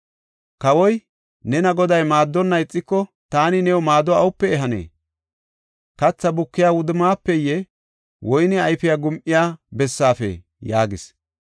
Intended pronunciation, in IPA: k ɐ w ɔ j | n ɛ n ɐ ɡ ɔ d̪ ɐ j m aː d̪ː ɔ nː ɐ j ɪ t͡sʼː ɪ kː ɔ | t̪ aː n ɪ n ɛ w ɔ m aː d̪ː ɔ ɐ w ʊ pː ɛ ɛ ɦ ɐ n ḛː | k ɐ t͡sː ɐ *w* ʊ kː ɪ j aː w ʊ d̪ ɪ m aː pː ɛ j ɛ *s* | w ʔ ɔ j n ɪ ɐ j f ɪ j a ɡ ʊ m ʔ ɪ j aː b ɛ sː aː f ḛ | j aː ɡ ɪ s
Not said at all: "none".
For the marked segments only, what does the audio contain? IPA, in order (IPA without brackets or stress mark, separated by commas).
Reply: b, none